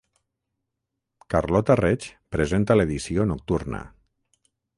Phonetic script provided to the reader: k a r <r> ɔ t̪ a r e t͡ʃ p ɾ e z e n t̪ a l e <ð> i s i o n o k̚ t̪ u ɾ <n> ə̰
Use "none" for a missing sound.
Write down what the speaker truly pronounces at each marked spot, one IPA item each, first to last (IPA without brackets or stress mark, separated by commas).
l, ð, n